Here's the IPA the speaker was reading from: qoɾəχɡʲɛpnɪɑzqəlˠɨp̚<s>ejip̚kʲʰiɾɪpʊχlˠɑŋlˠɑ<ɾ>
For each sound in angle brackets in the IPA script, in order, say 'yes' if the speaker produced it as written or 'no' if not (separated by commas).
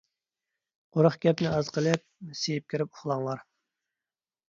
yes, yes